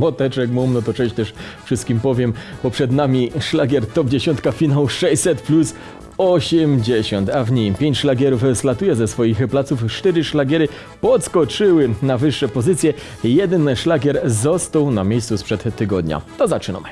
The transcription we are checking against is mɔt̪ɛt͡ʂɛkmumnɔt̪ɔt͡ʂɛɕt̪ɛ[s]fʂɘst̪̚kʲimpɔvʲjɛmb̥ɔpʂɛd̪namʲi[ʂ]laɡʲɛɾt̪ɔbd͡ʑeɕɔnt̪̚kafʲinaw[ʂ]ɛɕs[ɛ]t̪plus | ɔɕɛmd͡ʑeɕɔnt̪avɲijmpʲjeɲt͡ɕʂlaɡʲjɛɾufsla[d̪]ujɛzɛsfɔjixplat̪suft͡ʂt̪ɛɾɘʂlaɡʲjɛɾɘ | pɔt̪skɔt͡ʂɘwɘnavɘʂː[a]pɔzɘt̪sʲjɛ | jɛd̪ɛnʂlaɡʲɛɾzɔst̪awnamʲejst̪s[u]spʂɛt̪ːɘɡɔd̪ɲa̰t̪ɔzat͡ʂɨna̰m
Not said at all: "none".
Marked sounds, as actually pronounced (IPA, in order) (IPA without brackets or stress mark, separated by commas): ʂ, ʂ, ʂ, ɛ, t̪, ɛ, u